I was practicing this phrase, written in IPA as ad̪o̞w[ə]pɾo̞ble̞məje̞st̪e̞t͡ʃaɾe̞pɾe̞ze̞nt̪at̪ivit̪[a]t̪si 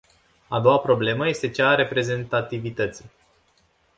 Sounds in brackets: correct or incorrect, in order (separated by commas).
incorrect, incorrect